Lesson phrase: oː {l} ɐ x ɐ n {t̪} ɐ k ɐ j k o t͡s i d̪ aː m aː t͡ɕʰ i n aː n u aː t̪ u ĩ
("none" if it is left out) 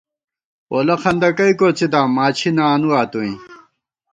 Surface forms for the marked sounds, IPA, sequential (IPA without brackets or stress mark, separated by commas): l, d̪